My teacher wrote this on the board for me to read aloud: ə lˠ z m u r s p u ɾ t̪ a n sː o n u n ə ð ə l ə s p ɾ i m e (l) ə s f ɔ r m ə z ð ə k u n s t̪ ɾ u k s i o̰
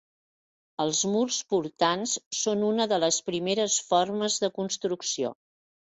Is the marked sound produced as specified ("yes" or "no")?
no